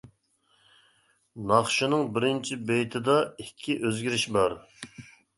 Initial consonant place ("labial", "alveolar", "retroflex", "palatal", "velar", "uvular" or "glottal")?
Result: alveolar